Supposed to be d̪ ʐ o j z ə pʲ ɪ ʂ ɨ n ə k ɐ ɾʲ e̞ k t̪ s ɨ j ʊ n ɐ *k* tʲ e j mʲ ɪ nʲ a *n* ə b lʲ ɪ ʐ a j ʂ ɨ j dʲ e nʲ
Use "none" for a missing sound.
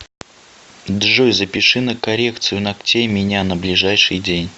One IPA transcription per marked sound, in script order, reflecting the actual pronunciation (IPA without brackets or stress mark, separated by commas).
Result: k, n